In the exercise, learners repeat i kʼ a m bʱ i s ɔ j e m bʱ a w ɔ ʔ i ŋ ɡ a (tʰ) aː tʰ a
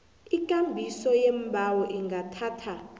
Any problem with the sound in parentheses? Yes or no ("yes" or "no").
no